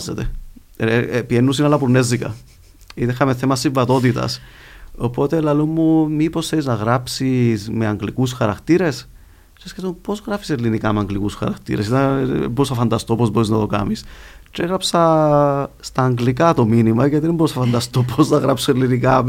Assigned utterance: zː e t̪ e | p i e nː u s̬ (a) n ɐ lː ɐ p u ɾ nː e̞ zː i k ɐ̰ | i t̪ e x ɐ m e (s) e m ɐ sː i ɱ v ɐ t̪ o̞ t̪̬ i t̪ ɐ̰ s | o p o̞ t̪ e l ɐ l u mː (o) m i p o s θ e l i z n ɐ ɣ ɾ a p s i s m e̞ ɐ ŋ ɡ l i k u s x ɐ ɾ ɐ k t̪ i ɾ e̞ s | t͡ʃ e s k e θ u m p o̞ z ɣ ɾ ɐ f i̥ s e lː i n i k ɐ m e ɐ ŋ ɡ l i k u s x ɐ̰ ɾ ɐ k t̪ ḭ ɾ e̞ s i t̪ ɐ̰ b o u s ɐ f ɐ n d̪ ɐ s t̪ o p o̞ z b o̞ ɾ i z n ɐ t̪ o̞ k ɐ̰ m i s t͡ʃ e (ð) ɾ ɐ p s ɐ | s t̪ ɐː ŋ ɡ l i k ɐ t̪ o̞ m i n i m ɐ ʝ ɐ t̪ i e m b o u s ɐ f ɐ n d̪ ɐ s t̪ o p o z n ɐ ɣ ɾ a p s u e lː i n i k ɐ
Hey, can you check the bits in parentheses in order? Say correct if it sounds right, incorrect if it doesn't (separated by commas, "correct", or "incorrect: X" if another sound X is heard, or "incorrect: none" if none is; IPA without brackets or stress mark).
incorrect: i, incorrect: θ, incorrect: u, incorrect: ɣ